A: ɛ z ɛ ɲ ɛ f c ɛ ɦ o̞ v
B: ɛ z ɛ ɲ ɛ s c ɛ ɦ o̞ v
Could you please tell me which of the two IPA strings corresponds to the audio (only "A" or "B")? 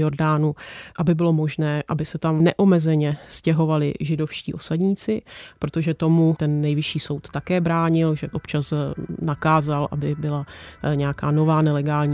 B